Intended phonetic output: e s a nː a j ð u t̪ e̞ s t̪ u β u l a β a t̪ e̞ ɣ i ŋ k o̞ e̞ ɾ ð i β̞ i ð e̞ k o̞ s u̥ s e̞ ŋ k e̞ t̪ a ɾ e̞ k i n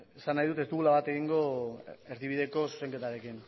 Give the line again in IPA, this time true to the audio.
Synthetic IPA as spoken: e s a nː a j ð u t̪ e̞ s t̪ u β u l a β a t̪ e̞ ɣ i ŋ ɡ o̞ e̞ ɾ ð i β̞ i ð e̞ k o̞ s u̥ s e̞ ŋ k e̞ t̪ a ɾ e̞ k i n